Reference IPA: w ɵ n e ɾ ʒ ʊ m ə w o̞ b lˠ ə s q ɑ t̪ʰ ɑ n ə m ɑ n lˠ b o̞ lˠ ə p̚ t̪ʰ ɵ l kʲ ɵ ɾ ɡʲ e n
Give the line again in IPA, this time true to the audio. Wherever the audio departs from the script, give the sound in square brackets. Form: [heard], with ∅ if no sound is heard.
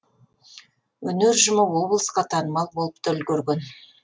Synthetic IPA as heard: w ɵ n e ɾ ʒ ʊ m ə w o̞ b lˠ ə s q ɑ t̪ʰ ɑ n ə m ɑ [∅] lˠ b o̞ lˠ ə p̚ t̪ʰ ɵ l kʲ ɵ ɾ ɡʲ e n